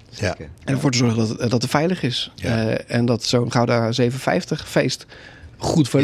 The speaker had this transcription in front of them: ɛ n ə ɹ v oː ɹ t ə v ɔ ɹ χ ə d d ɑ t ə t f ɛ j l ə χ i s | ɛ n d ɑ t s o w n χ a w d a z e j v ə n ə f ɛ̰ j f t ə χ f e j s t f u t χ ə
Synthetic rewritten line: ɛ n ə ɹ v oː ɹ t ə z ɔ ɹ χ ə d d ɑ t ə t f ɛ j l ə χ ɪ s | ɛ n d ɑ t s o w n χ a w d a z e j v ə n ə f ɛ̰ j f t ə χ f e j s t χ u t f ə